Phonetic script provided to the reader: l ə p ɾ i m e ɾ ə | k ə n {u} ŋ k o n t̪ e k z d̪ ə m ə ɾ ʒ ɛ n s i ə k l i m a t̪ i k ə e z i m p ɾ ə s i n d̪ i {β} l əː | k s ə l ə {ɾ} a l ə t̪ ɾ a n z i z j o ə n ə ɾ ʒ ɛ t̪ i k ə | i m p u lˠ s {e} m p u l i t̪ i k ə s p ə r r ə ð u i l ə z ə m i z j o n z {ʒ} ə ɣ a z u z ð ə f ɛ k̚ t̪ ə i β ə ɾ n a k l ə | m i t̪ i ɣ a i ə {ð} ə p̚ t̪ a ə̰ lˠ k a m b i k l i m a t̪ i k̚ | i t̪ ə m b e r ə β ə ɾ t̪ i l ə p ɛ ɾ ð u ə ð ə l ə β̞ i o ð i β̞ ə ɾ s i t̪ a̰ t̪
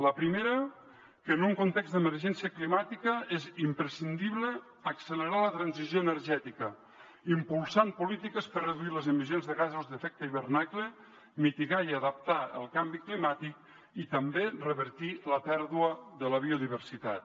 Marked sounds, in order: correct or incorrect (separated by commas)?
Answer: correct, correct, correct, incorrect, incorrect, correct